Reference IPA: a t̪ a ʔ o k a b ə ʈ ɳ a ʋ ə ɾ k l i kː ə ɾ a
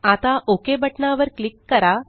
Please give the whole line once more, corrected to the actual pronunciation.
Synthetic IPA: a t̪ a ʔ o k e b ə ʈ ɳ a ʋ ə ɾ k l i kː ə ɾ a